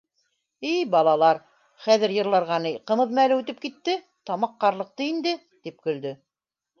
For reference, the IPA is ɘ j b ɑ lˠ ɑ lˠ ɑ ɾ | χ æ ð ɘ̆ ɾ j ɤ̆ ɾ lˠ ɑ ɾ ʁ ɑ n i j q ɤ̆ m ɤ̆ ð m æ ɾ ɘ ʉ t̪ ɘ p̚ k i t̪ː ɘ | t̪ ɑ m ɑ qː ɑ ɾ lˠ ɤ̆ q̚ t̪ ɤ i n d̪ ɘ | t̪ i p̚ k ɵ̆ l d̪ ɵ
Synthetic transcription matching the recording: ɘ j b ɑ lˠ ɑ lˠ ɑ ɾ | χ æ ð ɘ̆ ɾ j ɤ̆ ɾ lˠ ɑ ɾ ʁ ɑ n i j q ɤ̆ m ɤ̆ ð m æ l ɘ ʉ t̪ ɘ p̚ k i t̪ː ɘ | t̪ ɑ m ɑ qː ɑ ɾ lˠ ɤ̆ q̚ t̪ ɤ i n d̪ ɘ | t̪ i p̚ k ɵ̆ l d̪ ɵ